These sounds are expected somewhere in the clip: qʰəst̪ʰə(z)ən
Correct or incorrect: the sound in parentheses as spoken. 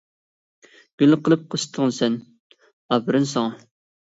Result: incorrect: ʁ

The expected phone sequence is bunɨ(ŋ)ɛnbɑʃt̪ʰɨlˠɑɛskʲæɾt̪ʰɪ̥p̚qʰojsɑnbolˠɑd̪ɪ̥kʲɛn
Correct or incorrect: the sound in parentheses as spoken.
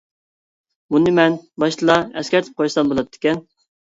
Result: incorrect: m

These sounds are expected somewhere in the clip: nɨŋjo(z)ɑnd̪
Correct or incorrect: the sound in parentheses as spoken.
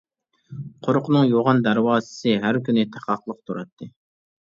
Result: incorrect: ʁ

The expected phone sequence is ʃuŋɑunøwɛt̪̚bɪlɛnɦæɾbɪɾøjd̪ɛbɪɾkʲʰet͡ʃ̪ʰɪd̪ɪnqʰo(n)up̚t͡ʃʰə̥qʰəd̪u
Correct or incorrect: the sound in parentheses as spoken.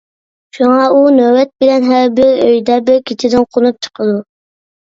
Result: correct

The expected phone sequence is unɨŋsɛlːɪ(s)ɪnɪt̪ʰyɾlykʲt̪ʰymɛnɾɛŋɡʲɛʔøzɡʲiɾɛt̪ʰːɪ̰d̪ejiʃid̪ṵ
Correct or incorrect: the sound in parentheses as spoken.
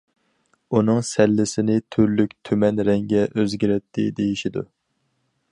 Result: correct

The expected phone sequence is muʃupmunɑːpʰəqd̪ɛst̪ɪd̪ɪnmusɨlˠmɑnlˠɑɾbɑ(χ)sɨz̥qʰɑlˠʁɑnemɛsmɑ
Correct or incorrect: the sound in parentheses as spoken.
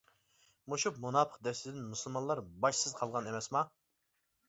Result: incorrect: ʃ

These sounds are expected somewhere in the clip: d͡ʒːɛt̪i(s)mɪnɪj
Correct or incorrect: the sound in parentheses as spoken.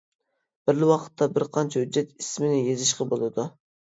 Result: correct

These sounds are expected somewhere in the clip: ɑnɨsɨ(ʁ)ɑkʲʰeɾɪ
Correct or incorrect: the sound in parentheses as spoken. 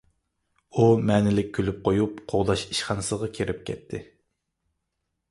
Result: correct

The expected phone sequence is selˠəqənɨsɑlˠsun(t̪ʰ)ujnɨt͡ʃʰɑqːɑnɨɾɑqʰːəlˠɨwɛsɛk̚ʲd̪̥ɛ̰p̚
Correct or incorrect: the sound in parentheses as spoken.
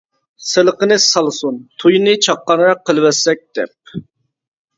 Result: correct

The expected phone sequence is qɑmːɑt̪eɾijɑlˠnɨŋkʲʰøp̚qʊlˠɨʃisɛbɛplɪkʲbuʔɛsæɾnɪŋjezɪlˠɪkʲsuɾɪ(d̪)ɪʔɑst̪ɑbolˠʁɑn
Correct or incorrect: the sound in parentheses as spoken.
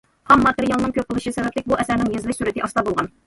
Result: incorrect: t̪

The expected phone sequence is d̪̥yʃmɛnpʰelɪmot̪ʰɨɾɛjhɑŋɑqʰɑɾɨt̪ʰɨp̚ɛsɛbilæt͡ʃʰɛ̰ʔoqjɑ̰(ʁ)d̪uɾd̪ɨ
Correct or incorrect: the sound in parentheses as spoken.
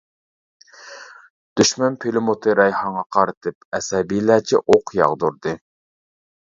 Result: correct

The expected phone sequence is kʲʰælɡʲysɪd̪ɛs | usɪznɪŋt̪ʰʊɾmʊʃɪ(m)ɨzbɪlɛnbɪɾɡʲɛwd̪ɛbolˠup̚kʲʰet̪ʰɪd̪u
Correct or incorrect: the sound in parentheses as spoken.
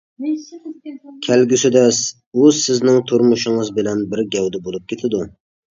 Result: incorrect: ŋ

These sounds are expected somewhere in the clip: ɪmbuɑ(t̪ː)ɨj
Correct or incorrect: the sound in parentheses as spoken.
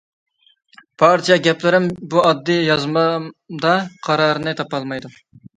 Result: incorrect: d̪ː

